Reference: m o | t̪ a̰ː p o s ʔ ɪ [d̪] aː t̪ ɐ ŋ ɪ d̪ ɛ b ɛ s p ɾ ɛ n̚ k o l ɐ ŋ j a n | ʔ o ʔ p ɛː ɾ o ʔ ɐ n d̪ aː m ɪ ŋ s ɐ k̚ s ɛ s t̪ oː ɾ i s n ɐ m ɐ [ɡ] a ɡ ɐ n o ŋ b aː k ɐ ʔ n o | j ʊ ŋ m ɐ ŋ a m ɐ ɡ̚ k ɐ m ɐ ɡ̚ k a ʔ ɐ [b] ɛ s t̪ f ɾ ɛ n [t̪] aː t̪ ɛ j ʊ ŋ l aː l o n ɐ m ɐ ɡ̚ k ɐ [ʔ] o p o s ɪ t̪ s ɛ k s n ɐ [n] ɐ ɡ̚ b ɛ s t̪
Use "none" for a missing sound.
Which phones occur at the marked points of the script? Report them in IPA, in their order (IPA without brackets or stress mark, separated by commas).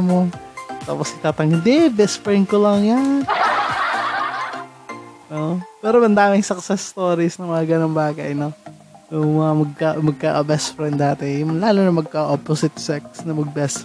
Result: t̪, ŋ, b, d̪, ʔ, m